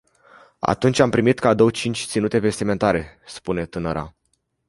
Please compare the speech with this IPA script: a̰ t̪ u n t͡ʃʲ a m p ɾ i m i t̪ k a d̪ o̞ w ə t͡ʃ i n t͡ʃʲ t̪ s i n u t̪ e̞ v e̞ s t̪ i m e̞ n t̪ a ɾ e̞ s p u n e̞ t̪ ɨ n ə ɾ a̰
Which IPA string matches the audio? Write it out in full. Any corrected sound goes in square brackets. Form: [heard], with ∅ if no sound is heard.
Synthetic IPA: a̰ t̪ u n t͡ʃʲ a m p ɾ i m i t̪ k a d̪ o̞ w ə t͡ʃ i n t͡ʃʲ t̪ s i n u t̪ e̞ v e̞ s t̪ i m e̞ n t̪ a ɾ e̞ s p u n e̞ t̪ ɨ n ə ɾ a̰